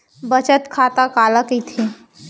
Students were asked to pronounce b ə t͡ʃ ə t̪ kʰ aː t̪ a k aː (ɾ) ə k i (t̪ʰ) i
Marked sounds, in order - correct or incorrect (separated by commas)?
incorrect, correct